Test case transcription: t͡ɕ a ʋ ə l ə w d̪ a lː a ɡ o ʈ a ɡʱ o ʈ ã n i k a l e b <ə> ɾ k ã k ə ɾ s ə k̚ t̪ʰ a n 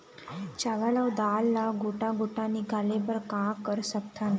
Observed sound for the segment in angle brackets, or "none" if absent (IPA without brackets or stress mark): ə